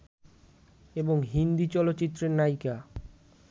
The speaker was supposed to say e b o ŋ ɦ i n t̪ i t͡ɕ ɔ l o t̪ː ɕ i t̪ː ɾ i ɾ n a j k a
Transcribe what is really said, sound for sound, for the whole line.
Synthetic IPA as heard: e b o ŋ ɦ i n d̪ i t͡ɕ ɔ l o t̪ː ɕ i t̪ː ɾ e ɾ n a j k a